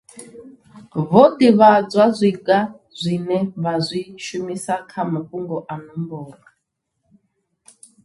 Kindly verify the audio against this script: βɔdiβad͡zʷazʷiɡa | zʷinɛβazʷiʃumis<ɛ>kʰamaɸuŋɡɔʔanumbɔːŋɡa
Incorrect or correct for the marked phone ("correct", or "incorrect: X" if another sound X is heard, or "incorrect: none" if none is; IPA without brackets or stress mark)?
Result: incorrect: a